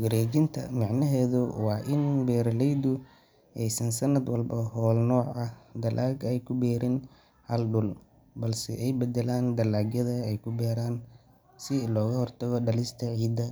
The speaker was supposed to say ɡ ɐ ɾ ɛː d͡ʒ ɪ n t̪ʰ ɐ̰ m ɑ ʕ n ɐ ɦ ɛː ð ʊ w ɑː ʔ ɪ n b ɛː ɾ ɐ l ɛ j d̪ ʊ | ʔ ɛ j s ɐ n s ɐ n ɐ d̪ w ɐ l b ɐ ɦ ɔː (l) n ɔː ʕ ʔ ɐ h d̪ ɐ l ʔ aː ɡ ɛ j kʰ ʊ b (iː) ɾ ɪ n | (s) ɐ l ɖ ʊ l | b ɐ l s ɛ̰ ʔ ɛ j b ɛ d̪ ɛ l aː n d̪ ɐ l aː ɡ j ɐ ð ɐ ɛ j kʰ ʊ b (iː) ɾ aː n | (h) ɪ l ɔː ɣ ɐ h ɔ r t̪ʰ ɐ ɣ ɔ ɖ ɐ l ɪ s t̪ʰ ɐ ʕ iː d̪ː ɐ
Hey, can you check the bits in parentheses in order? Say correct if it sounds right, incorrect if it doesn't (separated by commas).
correct, incorrect, incorrect, incorrect, incorrect